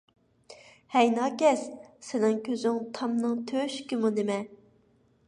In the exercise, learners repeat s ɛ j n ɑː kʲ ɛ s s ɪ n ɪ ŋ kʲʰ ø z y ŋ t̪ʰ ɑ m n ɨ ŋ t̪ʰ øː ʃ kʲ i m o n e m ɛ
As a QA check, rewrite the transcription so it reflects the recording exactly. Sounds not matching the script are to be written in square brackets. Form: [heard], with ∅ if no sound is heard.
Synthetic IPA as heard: [h] ɛ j n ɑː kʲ ɛ s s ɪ n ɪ ŋ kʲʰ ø z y ŋ t̪ʰ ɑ m n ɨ ŋ t̪ʰ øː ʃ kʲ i m [u] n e m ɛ